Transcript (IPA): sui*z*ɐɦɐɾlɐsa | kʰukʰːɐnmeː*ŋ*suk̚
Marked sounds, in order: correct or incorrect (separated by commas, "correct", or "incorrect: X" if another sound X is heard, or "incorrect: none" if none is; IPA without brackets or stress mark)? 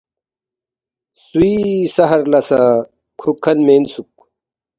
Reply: incorrect: s, incorrect: n